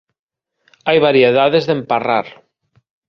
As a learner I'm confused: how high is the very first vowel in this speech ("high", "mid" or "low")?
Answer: low